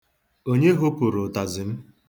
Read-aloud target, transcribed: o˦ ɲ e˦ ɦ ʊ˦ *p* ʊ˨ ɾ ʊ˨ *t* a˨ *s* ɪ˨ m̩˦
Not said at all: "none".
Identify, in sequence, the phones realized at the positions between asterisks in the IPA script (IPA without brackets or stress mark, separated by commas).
p, t, z